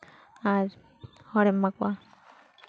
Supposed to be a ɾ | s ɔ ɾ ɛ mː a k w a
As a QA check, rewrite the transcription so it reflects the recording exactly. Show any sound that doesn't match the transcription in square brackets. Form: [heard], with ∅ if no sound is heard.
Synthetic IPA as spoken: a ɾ | [h] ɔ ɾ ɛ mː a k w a